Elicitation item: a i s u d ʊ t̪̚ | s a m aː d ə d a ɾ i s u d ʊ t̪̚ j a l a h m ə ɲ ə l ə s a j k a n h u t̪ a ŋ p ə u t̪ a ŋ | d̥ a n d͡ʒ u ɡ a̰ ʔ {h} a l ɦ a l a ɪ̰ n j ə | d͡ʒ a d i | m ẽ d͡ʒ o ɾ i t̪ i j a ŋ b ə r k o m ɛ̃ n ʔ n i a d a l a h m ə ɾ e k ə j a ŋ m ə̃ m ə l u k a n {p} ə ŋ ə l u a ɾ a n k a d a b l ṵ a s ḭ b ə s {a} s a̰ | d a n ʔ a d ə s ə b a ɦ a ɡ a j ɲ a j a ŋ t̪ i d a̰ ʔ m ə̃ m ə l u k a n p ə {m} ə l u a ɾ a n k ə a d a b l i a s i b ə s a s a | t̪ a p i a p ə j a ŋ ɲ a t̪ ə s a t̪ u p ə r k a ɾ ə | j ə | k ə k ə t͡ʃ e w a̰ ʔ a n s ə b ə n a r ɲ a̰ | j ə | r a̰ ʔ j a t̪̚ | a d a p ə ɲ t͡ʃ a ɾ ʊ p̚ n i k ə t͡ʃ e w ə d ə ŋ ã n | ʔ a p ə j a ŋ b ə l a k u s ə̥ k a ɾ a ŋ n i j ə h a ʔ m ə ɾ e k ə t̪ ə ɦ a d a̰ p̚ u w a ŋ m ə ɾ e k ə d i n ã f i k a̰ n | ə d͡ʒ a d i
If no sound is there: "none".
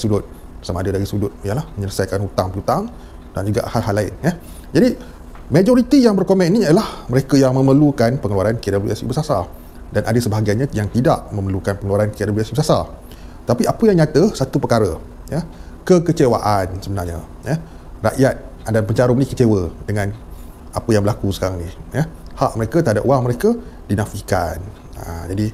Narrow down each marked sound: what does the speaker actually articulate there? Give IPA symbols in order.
h, p, a, ŋ

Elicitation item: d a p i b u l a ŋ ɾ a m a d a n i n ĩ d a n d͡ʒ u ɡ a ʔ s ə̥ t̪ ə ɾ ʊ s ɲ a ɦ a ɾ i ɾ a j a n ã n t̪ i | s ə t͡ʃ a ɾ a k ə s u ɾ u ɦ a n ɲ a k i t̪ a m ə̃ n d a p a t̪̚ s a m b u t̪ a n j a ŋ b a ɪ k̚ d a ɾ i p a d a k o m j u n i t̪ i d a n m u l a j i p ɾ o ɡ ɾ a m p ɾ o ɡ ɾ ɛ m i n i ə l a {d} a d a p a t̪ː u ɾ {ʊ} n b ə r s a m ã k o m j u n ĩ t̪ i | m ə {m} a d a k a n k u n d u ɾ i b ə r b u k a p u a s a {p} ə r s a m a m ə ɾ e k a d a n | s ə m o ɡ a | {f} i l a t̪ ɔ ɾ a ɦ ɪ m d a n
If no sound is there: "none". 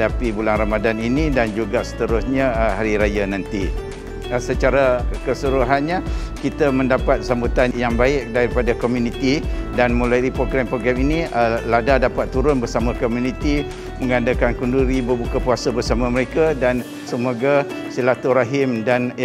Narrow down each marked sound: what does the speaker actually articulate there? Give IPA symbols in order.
d, ʊ, ŋ, b, s

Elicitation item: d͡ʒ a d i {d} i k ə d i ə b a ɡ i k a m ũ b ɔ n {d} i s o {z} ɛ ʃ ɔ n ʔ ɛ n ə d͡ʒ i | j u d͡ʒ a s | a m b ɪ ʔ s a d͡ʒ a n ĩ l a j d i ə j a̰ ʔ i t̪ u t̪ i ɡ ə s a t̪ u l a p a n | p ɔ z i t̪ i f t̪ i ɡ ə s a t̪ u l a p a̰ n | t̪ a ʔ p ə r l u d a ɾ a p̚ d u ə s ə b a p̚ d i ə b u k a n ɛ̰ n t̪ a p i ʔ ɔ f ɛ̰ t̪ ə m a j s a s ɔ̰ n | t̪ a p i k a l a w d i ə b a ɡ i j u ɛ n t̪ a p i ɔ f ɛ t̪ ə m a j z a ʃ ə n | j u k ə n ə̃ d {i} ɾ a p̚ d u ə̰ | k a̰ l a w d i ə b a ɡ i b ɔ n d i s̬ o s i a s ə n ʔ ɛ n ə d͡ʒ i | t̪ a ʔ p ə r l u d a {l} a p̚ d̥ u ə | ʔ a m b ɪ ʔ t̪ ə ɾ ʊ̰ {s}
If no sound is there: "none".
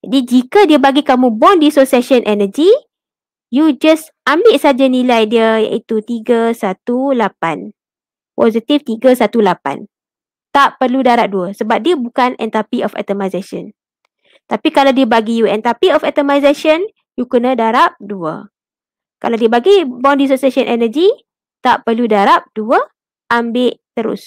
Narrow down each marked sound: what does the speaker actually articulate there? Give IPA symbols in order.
d͡ʒ, d, s, a, ɾ, s

